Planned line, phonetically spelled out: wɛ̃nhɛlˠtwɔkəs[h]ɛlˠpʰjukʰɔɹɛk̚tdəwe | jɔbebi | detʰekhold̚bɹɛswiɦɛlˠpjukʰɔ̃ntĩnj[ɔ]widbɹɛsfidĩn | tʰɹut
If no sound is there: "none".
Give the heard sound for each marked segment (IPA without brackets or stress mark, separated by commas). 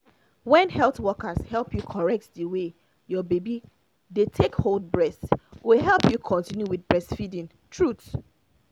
h, u